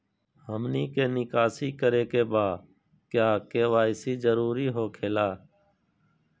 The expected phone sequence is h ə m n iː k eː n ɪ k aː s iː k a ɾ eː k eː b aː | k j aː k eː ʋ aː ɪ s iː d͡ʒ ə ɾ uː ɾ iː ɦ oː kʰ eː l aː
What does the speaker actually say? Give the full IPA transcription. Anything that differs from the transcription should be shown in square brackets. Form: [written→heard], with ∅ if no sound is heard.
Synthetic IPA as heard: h ə m n iː k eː n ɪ k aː s iː k [a→ə] ɾ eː k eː b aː | k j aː k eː ʋ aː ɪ s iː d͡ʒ ə ɾ uː ɾ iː ɦ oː kʰ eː l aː

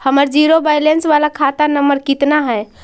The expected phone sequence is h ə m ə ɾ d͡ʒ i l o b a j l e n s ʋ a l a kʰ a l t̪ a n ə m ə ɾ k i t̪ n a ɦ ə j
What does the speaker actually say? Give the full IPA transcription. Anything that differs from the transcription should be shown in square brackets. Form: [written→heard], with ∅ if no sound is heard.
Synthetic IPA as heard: h ə m ə ɾ d͡ʒ i [l→ɾ] o b a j l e n s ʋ a l a kʰ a [l→∅] t̪ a n ə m ə ɾ k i t̪ n a ɦ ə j

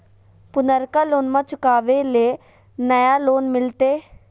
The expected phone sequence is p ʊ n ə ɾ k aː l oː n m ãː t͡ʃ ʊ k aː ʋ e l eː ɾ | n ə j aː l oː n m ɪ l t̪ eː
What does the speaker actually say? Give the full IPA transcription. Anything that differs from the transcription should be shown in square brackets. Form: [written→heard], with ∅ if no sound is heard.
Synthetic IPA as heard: p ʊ n ə ɾ k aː l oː n m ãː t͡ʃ ʊ k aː ʋ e l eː [ɾ→∅] | n ə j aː l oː n m ɪ l t̪ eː

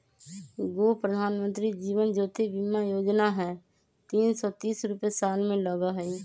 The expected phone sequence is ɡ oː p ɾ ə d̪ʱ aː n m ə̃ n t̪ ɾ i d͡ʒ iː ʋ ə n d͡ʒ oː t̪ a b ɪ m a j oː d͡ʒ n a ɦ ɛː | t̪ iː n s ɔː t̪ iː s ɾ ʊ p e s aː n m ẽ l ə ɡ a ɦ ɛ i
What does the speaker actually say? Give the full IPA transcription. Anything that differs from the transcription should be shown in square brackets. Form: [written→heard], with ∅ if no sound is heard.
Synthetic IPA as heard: ɡ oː p ɾ ə d̪ʱ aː n m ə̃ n t̪ ɾ i d͡ʒ iː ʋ ə n d͡ʒ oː t̪ [a→e] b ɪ m a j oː d͡ʒ n a ɦ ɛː | t̪ iː n s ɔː t̪ iː s ɾ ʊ p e s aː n m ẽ l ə ɡ a ɦ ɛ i

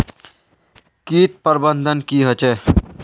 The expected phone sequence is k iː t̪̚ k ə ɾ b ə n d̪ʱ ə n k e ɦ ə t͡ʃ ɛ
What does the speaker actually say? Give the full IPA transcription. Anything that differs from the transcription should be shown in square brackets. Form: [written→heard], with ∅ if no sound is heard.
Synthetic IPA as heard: k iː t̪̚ [k→p] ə ɾ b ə n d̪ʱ ə n k [e→i] ɦ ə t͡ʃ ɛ

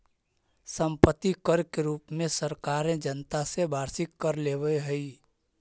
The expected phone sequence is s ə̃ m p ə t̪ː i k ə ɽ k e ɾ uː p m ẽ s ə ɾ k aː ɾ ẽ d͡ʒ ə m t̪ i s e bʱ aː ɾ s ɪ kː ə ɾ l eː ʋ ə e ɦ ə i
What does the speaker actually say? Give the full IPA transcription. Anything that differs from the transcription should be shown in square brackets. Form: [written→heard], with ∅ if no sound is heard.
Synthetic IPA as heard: s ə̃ m p ə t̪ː i k ə [ɽ→ɾ] k e ɾ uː p m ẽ s ə ɾ k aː ɾ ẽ d͡ʒ ə [m→n] t̪ [i→a] s e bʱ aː ɾ s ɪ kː ə ɾ l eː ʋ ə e ɦ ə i

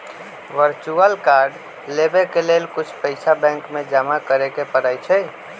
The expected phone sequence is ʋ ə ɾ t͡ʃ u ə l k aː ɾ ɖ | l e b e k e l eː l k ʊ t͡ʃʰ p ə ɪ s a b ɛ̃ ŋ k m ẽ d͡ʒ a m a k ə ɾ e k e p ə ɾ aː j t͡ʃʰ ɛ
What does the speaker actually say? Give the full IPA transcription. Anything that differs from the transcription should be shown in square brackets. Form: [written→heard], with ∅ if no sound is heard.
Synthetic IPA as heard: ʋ ə ɾ t͡ʃ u ə l k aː ɾ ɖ | l e b e k e l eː l k ʊ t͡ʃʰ p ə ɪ s a b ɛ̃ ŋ k m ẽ d͡ʒ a m a k ə ɾ e k e p ə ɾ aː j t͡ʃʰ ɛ

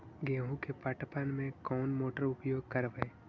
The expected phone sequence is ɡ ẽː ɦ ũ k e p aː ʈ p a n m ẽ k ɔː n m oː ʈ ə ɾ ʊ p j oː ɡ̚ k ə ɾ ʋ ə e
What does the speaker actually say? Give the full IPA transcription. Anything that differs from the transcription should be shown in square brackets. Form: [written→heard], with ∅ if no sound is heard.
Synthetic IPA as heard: ɡ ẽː ɦ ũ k e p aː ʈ p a n m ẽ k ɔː n m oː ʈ ə ɾ ʊ p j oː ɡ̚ k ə ɾ ʋ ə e

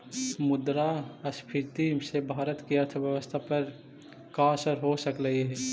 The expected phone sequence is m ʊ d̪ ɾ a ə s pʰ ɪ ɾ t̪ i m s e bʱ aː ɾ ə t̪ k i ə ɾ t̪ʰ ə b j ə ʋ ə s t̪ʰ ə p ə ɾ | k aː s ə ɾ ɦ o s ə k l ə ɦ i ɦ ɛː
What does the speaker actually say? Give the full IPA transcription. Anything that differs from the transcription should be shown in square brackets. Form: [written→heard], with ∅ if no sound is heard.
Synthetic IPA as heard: m ʊ d̪ ɾ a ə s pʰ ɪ ɾ t̪ i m s e bʱ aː ɾ ə t̪ k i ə ɾ t̪ʰ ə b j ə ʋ ə s t̪ʰ [ə→a] p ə ɾ | k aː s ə ɾ ɦ o s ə k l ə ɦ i ɦ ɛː

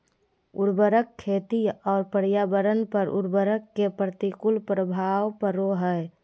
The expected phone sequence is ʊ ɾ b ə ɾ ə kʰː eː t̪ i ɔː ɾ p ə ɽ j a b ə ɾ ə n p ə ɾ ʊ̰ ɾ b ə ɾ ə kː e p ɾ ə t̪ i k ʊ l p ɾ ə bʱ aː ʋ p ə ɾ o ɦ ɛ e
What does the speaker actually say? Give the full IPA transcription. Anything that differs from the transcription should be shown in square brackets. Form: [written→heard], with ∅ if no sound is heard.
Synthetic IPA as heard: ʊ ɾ b ə ɾ ə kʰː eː t̪ i ɔː ɾ p ə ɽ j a b ə ɾ ə n p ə ɾ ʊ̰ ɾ b ə ɾ ə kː e p ɾ ə t̪ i k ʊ l p ɾ ə bʱ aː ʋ p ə ɾ o ɦ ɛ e

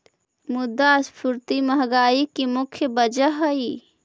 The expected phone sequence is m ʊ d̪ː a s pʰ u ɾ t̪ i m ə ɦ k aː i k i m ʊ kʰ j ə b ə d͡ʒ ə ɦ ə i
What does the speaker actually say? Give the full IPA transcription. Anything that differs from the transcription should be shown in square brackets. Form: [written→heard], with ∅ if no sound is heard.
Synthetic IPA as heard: m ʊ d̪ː a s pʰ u ɾ t̪ i m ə ɦ [k→ɡ] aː i k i m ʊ kʰ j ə b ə d͡ʒ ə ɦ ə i

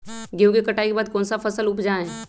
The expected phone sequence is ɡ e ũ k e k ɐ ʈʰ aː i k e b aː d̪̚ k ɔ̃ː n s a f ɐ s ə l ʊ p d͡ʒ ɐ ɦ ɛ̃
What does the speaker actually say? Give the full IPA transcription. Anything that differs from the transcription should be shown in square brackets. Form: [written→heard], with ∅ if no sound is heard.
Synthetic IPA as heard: ɡ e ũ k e k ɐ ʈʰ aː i k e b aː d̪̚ k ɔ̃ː n s a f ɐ s ə l ʊ p d͡ʒ [ɐ→a] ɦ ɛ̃

